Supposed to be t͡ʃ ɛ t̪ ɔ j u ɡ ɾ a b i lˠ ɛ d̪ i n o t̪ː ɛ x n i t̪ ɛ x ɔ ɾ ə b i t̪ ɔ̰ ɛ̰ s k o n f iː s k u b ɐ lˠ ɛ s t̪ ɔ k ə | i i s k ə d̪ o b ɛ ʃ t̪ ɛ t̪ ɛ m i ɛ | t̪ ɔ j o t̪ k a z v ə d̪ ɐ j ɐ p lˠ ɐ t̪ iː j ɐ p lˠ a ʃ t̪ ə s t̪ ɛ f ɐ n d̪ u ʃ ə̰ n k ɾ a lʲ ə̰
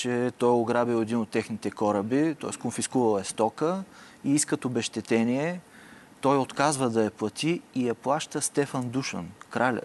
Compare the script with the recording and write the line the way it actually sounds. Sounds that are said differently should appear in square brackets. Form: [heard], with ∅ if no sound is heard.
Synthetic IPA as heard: t͡ʃ ɛ t̪ ɔ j [o] ɡ ɾ a b i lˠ ɛ d̪ i n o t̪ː ɛ x n i t̪ ɛ [k] ɔ ɾ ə b i t̪ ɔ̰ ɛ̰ s k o n f [i] s k u [v] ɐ lˠ ɛ s t̪ ɔ k ə | i i s k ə [t̪] o b ɛ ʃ t̪ ɛ t̪ ɛ [n] i ɛ | t̪ ɔ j o t̪ k a z v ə d̪ ɐ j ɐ p lˠ ɐ t̪ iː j ɐ p lˠ a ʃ t̪ ə s t̪ ɛ f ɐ n d̪ u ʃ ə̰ n k ɾ a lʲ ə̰